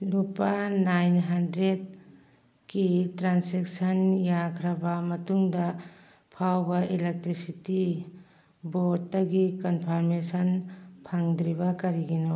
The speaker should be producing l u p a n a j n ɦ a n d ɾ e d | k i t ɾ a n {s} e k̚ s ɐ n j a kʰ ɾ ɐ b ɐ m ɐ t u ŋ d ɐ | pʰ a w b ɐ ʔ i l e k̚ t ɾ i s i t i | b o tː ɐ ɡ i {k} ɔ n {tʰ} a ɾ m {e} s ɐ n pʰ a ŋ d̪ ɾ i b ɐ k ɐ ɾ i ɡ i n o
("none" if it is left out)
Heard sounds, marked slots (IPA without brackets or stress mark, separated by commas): s, k, pʰ, e